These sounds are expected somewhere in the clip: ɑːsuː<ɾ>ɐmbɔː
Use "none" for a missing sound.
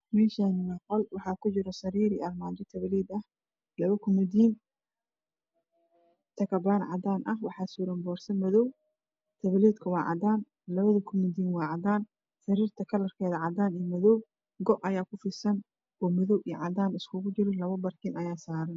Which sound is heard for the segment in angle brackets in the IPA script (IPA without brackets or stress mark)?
ɾ